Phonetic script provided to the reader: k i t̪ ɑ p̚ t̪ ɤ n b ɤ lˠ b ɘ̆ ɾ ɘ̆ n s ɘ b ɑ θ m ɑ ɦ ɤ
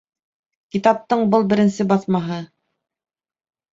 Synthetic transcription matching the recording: k i t̪ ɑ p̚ t̪ ɤ ɴ b ɤ lˠ b ɘ̆ ɾ ɘ̆ n s ɘ b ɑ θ m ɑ ɦ ɤ